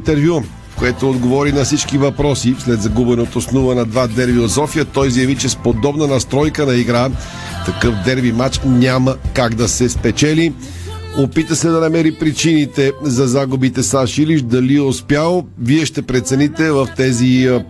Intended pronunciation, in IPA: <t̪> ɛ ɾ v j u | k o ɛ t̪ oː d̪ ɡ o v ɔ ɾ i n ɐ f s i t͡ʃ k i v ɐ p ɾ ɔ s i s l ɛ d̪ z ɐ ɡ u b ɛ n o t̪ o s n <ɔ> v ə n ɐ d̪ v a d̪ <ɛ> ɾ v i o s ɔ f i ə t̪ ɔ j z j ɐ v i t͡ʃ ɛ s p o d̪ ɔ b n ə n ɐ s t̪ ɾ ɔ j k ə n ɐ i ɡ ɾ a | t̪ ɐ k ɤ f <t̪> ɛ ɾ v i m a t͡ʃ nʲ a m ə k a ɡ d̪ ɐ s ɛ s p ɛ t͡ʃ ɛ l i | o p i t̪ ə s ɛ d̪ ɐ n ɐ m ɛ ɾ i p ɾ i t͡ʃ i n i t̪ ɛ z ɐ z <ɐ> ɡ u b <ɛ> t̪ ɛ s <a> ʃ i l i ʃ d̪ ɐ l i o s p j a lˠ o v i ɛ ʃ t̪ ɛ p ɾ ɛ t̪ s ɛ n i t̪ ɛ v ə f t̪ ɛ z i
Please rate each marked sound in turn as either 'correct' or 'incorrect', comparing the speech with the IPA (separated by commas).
correct, incorrect, correct, incorrect, incorrect, incorrect, correct